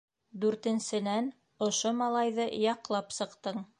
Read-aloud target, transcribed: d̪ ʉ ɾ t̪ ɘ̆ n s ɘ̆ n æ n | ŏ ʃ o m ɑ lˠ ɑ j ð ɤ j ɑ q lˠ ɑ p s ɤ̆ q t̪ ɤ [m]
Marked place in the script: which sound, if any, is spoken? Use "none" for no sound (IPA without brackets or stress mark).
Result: ɴ